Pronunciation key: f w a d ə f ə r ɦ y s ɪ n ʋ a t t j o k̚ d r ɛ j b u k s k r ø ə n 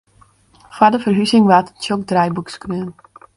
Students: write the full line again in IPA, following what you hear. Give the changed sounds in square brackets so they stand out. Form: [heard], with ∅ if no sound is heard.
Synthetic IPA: f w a d ə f ə r ɦ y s ɪ [ŋ] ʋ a t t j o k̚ d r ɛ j b u k s k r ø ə n